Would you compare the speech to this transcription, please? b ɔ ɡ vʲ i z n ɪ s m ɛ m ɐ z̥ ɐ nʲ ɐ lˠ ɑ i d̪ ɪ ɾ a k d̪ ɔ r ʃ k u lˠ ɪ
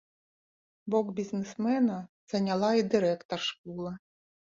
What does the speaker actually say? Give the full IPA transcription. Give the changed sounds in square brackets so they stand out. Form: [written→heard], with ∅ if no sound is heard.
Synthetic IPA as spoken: b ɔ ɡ [vʲ→bʲ] i z n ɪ s m ɛ [m→n] ɐ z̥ ɐ nʲ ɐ lˠ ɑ i d̪ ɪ ɾ [a→ɛ] k [d̪→t̪] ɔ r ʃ k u lˠ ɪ

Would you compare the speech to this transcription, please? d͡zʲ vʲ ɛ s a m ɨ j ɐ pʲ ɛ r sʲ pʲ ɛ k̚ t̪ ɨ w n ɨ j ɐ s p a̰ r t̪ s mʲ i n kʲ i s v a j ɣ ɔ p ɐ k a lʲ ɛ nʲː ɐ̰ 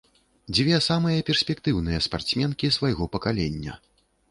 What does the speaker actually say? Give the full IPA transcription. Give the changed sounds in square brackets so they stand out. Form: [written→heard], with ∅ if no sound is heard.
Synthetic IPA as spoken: d͡zʲ vʲ ɛ s a m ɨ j ɐ pʲ ɛ r sʲ pʲ ɛ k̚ t̪ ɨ w n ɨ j ɐ s p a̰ r t̪ s mʲ [i→ɛ] n kʲ i s v a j ɣ ɔ p ɐ k a lʲ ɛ nʲː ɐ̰

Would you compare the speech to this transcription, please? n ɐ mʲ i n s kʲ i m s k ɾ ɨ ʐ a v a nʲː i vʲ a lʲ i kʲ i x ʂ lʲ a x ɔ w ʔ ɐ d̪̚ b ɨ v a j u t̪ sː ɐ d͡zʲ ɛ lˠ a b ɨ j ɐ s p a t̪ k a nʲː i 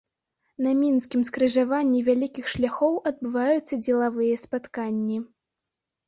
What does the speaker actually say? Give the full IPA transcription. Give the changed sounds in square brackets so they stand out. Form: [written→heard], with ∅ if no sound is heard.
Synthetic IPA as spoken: n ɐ mʲ i n s kʲ i m s k ɾ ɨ ʐ a v a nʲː i vʲ a lʲ i kʲ i x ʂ lʲ a x ɔ w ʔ ɐ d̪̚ b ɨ v a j u t̪ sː ɐ d͡zʲ ɛ lˠ a [b→v] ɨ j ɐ s p a t̪ k a nʲː i

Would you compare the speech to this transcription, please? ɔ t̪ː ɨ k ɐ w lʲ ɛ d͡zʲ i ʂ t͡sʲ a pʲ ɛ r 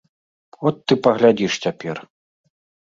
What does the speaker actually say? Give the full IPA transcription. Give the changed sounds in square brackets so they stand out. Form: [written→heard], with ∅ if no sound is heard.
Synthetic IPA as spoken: ɔ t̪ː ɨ [k→p] ɐ [w→ɣ] lʲ [ɛ→a] d͡zʲ i ʂ t͡sʲ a pʲ ɛ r

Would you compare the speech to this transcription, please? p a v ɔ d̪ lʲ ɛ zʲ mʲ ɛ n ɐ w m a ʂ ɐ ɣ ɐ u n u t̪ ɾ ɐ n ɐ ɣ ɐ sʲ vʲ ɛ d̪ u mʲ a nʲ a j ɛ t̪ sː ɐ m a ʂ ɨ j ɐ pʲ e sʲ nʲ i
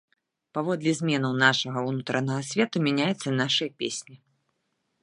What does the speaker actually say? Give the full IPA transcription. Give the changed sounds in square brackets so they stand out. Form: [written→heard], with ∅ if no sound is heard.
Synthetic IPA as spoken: p a v ɔ d̪ lʲ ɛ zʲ mʲ ɛ n ɐ w [m→n] a ʂ ɐ ɣ ɐ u n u t̪ ɾ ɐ n ɐ ɣ ɐ sʲ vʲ ɛ [d̪→t̪] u mʲ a nʲ a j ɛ t̪ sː ɐ [m→n] a ʂ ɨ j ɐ pʲ e sʲ nʲ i

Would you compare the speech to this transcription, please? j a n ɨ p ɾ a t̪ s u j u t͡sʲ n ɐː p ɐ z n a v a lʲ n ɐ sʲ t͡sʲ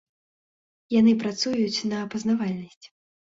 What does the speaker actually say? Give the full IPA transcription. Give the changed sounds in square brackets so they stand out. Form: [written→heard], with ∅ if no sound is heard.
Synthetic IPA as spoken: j a n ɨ p ɾ a t̪ s u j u t͡sʲ n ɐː p ɐ z n a v a lʲ n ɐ sʲ t͡sʲ

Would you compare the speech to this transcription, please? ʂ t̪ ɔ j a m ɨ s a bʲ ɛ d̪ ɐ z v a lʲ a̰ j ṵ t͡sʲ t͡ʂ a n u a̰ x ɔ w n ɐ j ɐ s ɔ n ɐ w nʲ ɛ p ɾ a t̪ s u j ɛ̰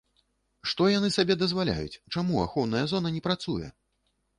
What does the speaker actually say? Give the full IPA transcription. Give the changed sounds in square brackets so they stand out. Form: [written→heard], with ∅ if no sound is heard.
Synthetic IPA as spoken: ʂ t̪ ɔ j a [m→n] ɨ s a bʲ ɛ d̪ ɐ z v a lʲ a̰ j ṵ t͡sʲ t͡ʂ a [n→m] u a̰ x ɔ w n ɐ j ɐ [s→z] ɔ n ɐ [w→∅] nʲ ɛ p ɾ a t̪ s u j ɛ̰

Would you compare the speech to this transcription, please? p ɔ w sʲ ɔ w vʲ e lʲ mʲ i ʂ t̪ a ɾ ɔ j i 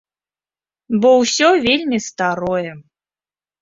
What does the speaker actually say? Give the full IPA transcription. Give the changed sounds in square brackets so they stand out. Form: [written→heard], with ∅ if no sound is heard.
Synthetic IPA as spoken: [p→b] ɔ w sʲ ɔ [w→∅] vʲ e lʲ mʲ i [ʂ→s] t̪ a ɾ ɔ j [i→ɛ]

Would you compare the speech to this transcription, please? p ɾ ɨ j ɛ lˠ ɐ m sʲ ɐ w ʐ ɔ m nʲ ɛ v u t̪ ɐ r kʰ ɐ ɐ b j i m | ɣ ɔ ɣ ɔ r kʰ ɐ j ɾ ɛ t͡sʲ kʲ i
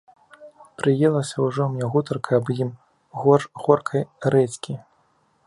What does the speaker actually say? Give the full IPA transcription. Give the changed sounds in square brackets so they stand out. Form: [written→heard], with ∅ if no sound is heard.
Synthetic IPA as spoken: p ɾ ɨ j ɛ lˠ ɐ [m→∅] sʲ ɐ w ʐ ɔ m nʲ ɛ [v→ɣ] u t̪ ɐ r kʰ ɐ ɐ b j i m | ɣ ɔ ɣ ɔ r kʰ ɐ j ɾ ɛ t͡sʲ kʲ i

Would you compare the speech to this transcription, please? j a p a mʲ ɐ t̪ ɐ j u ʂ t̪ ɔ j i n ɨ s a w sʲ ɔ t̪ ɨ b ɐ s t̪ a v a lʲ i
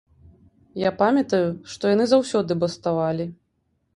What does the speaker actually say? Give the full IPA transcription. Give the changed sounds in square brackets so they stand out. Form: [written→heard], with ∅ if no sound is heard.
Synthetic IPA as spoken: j a p a mʲ ɐ t̪ ɐ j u ʂ t̪ ɔ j [i→a] n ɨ [s→z] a w sʲ ɔ [t̪→d̪] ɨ b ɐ s t̪ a v a lʲ i

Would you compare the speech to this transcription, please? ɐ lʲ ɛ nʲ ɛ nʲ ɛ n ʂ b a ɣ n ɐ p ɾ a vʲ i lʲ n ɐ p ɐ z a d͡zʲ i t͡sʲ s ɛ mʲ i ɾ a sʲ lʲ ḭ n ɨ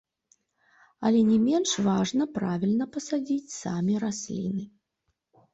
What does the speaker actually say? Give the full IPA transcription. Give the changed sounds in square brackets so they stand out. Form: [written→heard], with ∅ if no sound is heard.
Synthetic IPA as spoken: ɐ lʲ ɛ nʲ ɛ [nʲ→mʲ] ɛ n ʂ [b→v] a [ɣ→ʐ] n ɐ p ɾ a vʲ i lʲ n ɐ p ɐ [z→s] a d͡zʲ i t͡sʲ s [ɛ→a] mʲ i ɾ a sʲ lʲ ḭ n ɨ

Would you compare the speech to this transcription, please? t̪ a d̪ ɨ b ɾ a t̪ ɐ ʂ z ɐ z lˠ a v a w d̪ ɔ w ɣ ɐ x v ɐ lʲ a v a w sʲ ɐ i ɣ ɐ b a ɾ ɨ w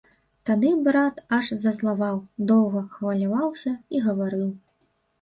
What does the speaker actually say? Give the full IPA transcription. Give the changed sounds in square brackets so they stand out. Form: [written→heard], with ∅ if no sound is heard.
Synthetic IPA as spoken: t̪ a d̪ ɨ b ɾ a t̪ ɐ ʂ z ɐ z lˠ a v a w d̪ ɔ w ɣ ɐ x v ɐ lʲ a v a w sʲ ɐ i ɣ ɐ [b→v] a ɾ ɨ w

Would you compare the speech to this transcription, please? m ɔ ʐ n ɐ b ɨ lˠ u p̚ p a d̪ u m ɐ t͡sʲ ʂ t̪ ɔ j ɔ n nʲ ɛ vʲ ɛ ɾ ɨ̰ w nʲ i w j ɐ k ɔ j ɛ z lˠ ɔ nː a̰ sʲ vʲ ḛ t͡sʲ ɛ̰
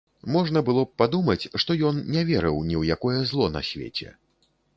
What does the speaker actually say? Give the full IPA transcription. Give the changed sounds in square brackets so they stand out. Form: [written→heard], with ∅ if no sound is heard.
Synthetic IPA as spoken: m ɔ ʐ n ɐ b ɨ lˠ [u→ɔ] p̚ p a d̪ u m ɐ t͡sʲ ʂ t̪ ɔ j ɔ n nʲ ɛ vʲ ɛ ɾ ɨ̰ w nʲ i w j [ɐ→a] k ɔ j ɛ z lˠ ɔ [nː→n] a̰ sʲ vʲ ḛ t͡sʲ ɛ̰

